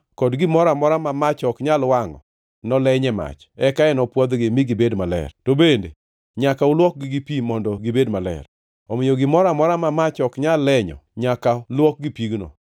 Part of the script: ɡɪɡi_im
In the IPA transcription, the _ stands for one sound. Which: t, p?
p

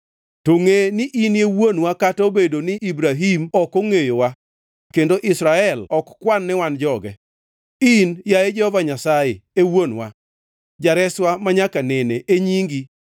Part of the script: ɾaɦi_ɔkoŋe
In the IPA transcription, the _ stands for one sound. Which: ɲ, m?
m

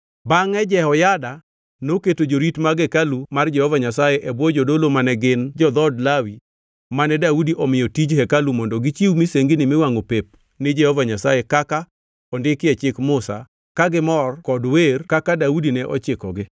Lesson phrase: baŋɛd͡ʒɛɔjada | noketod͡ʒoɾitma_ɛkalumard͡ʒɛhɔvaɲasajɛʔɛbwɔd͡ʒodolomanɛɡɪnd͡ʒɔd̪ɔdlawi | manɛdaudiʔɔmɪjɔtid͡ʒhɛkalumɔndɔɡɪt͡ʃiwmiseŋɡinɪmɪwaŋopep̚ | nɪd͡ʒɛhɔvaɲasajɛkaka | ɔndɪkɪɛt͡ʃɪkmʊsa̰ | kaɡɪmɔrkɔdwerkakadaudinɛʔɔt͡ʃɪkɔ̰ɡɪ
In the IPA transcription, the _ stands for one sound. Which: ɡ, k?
ɡ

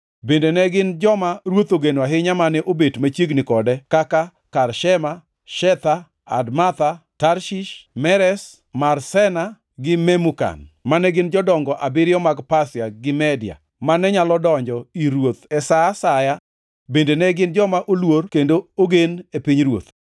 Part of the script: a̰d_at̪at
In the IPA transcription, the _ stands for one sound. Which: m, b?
m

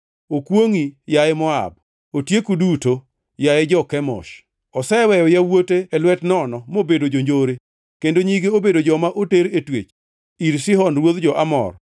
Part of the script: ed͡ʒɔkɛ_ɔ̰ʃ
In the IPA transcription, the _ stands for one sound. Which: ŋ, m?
m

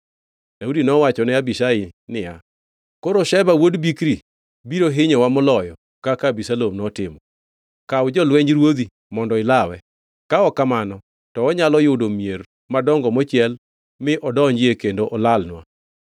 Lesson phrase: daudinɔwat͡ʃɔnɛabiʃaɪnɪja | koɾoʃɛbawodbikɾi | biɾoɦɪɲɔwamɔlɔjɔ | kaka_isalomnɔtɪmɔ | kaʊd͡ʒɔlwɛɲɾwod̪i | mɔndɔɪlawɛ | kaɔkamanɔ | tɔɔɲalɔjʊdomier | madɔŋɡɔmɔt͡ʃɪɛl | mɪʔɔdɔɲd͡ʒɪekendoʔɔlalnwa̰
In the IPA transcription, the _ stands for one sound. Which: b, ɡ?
b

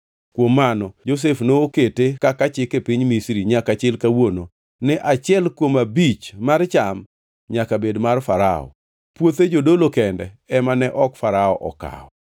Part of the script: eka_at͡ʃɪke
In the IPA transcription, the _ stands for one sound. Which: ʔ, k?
k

